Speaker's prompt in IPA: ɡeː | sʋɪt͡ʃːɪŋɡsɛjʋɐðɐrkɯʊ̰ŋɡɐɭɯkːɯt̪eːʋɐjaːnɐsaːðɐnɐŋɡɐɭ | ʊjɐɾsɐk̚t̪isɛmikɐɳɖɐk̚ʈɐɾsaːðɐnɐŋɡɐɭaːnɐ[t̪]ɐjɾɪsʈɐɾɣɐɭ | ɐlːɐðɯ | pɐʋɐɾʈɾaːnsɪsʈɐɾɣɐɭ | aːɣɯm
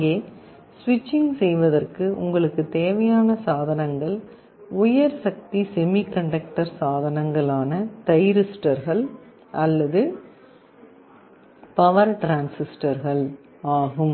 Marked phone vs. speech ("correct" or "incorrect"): correct